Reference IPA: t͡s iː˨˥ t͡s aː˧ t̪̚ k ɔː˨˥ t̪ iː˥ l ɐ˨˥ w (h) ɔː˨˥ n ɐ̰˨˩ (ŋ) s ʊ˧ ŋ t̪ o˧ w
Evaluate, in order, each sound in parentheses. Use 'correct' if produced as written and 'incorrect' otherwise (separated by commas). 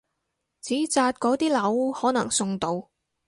correct, correct